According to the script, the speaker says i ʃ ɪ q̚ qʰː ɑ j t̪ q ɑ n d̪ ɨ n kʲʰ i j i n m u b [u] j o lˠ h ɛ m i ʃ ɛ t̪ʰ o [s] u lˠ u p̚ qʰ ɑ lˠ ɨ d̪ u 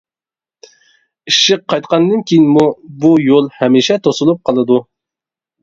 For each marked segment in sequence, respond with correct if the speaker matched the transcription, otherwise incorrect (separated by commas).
correct, correct